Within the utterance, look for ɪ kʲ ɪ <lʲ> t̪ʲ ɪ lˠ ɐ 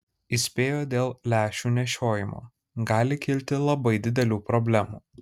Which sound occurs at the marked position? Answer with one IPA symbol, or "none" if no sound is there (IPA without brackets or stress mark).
lʲ